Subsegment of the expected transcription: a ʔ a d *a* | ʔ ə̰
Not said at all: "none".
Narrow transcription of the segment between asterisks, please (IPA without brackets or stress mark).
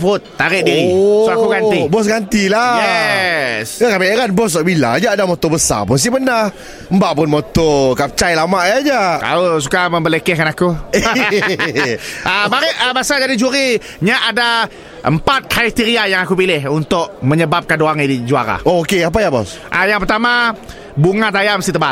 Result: a